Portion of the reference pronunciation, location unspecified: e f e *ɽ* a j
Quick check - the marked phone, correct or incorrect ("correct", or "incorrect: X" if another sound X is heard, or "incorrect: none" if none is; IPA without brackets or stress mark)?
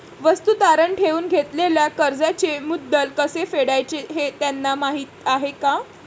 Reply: correct